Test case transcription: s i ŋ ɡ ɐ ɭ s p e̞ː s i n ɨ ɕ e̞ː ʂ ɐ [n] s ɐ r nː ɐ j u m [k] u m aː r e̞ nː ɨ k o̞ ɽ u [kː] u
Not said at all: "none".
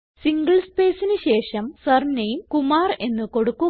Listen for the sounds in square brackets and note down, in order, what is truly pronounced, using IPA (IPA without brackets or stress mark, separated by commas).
m, k, kː